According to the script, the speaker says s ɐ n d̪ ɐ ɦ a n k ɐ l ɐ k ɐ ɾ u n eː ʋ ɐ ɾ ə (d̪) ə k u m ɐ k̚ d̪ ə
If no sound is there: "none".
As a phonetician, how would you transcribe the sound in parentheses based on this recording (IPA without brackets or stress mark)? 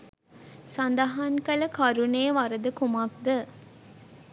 d̪